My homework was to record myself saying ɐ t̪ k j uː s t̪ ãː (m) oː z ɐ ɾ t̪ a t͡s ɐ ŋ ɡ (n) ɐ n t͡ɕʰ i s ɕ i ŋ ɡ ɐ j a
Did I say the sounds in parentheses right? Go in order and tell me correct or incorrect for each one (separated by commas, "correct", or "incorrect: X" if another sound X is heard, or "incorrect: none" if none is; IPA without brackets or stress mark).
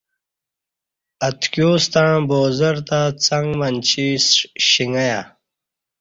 incorrect: b, incorrect: m